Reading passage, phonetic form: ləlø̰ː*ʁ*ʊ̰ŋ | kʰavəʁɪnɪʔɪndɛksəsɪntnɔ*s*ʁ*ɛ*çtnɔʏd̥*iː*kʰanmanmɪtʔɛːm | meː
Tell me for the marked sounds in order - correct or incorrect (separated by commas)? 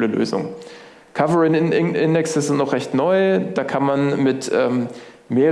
incorrect, incorrect, correct, incorrect